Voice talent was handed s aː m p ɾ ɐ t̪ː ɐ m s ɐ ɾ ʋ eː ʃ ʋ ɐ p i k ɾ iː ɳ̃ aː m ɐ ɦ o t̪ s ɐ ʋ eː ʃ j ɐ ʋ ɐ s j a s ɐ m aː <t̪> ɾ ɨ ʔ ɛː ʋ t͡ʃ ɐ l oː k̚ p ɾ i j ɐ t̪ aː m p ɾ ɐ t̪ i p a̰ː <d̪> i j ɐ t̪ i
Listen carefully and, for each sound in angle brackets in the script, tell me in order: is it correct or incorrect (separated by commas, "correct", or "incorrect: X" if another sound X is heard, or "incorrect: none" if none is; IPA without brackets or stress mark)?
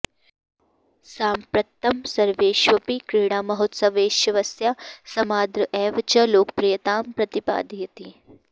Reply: incorrect: d̪, correct